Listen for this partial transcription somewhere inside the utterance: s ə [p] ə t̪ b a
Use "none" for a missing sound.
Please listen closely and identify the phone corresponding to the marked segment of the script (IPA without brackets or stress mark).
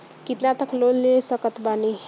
k